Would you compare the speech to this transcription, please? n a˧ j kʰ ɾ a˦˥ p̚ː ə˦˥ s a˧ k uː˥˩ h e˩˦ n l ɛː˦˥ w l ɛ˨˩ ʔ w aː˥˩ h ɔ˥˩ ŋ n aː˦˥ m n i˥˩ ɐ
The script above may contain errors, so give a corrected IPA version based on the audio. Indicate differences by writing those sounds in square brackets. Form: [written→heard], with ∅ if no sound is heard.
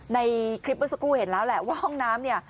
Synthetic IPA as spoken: n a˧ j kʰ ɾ [a˦˥→i˦˥] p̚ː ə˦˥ s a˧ k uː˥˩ h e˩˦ n l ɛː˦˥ w l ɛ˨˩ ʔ w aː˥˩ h ɔ˥˩ ŋ n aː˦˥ m n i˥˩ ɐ